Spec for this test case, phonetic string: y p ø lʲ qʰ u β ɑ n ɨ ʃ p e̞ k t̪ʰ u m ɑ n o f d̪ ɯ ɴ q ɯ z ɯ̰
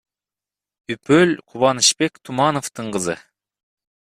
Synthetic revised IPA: y p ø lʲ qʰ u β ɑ n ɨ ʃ p e̞ k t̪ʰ u m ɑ n o f t̪ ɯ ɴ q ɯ z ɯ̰